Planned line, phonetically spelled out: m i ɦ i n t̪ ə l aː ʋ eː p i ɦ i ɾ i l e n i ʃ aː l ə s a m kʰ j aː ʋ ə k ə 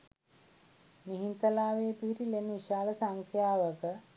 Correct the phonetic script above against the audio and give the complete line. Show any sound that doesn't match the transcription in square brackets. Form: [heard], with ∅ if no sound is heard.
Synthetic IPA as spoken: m i ɦ i n t̪ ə l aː ʋ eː p i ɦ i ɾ i l e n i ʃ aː l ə s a [ŋ] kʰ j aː ʋ ə k ə